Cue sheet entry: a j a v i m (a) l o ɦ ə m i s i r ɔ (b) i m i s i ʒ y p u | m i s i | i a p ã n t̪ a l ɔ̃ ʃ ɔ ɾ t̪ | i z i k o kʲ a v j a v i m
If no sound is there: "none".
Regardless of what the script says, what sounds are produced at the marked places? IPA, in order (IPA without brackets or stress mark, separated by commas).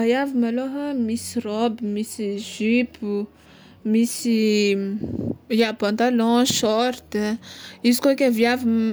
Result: a, b